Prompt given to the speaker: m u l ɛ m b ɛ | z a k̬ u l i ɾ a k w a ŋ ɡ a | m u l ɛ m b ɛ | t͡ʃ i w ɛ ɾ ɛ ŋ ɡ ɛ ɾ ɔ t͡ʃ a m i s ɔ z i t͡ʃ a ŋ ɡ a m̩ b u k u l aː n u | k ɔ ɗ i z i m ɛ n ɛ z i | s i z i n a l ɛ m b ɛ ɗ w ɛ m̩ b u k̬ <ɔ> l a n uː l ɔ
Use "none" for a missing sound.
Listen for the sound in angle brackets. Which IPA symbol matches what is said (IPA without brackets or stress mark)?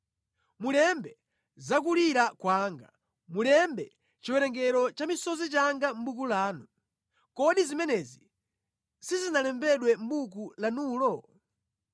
u